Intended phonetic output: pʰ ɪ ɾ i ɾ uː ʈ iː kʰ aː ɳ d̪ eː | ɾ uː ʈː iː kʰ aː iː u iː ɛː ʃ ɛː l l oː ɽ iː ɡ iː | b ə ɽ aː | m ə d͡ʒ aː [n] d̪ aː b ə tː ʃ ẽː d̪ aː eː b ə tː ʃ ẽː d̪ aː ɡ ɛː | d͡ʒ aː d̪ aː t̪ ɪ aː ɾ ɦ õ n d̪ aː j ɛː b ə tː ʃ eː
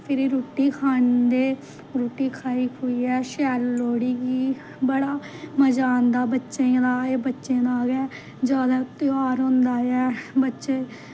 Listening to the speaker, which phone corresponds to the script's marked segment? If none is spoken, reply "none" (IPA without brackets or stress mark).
n